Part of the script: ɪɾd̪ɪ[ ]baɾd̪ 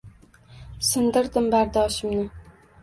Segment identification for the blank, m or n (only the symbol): m